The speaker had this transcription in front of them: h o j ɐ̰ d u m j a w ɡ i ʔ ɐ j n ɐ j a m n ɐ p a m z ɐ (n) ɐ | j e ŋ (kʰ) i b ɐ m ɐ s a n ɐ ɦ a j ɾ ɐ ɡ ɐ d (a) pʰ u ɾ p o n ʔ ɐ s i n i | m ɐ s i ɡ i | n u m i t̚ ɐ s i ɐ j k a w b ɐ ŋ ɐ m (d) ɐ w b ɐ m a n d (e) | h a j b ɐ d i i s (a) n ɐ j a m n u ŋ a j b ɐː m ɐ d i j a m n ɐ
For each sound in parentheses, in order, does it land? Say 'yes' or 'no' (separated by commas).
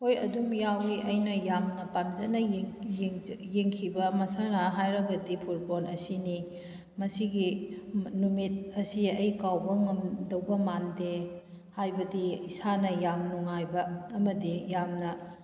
yes, yes, no, yes, yes, yes